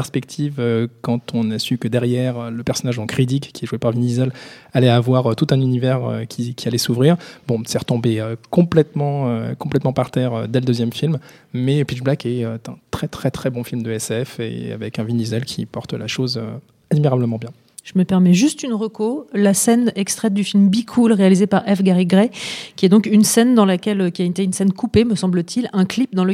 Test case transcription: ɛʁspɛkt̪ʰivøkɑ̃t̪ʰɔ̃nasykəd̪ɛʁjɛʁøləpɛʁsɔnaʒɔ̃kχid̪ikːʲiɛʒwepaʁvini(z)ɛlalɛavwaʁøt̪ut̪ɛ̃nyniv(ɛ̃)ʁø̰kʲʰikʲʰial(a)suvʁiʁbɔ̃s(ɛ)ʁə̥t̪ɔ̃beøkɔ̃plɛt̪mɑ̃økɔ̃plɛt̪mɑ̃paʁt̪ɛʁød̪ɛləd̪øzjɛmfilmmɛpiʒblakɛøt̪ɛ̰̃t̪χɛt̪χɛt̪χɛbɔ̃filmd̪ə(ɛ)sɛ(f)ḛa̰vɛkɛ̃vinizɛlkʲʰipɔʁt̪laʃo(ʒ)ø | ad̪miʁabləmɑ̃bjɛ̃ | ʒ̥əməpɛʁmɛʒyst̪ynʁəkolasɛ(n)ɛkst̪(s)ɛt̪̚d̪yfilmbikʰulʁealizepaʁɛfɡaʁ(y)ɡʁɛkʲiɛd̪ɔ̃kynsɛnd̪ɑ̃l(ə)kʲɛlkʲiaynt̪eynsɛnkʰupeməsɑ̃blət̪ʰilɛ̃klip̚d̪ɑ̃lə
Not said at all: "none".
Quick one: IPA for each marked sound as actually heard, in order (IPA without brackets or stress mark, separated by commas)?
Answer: z, ɛ, ɛ, ɛ, ɛ, f, z, n, χ, i, a